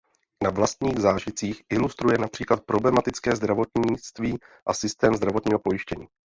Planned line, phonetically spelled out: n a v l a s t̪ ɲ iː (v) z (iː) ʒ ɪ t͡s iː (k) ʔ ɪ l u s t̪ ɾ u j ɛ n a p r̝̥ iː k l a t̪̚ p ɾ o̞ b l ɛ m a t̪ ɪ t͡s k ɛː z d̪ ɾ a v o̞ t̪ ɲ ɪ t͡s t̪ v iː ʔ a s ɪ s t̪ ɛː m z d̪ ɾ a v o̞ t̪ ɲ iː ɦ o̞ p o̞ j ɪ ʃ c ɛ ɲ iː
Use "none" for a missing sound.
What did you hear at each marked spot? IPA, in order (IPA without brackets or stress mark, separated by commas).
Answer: ɣ, aː, x